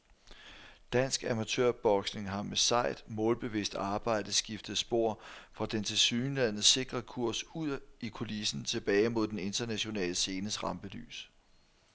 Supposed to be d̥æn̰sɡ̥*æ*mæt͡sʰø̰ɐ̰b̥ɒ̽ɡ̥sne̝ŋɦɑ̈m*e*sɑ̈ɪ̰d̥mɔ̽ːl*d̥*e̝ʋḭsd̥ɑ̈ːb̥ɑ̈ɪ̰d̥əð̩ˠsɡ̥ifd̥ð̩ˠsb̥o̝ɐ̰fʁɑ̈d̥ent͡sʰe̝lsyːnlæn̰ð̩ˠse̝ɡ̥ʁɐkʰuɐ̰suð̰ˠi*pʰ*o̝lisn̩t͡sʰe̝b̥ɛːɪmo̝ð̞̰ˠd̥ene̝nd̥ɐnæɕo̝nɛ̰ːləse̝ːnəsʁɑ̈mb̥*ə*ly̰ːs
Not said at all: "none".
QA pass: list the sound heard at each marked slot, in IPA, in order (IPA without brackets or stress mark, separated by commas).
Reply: æ, e, b̥, kʰ, ə